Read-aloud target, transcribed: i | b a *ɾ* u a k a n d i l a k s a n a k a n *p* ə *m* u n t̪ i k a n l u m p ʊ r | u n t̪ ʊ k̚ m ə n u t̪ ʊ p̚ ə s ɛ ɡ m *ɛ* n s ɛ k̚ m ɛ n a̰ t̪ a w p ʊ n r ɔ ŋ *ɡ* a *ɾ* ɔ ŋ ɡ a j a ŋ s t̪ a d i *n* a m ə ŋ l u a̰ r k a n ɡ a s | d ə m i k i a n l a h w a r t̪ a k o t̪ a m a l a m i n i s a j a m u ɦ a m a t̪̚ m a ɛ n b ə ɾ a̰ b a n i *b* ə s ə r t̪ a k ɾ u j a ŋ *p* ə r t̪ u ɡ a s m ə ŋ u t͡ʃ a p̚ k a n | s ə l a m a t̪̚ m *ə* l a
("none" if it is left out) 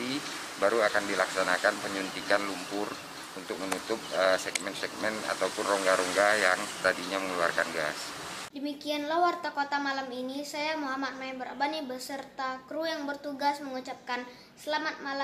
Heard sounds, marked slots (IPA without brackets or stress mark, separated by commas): ɾ, p, ɲ, ɛ, ɡ, ɾ, ɲ, b, b, a